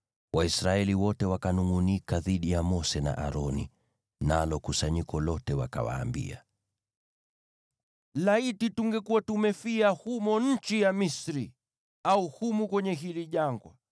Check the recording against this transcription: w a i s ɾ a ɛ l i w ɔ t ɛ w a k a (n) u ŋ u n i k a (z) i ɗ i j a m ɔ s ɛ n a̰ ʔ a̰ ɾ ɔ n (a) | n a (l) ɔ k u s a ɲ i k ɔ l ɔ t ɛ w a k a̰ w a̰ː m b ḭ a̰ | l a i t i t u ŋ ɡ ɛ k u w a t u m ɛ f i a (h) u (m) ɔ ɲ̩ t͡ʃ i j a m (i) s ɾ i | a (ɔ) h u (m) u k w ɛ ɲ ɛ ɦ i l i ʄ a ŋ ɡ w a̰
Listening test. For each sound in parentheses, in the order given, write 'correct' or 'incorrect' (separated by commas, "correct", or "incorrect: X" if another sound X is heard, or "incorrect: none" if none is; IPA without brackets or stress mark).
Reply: correct, incorrect: ð, incorrect: i, correct, correct, correct, correct, incorrect: u, correct